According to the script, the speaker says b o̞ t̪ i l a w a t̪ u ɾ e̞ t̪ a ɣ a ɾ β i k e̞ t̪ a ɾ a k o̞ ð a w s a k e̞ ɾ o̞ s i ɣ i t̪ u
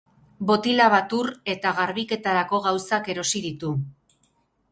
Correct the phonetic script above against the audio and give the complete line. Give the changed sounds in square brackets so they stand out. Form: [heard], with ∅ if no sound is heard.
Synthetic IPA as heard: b o̞ t̪ i l a [β] a t̪ u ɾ e̞ t̪ a ɣ a ɾ β i k e̞ t̪ a ɾ a k o̞ [ɣ] a w s a k e̞ ɾ o̞ s i [ð] i t̪ u